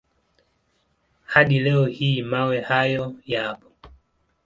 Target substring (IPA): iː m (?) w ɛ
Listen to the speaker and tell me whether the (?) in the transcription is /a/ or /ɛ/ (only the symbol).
a